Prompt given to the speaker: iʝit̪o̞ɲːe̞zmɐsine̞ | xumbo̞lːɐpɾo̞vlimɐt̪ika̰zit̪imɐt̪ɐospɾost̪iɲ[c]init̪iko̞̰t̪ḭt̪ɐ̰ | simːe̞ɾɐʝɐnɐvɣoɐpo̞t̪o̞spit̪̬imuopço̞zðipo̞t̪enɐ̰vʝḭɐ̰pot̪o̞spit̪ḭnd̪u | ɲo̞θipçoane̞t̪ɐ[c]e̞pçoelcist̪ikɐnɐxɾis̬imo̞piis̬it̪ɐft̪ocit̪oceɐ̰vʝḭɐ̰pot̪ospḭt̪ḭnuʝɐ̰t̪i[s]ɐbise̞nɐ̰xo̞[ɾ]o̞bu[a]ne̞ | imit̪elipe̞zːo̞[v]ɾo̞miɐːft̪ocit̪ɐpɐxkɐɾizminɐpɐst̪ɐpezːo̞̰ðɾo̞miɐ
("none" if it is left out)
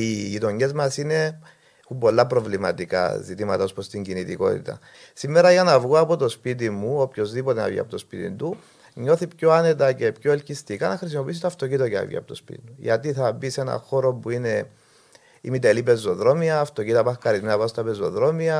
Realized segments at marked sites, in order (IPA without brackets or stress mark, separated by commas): ɟ, c, θ, ɾ, i, ð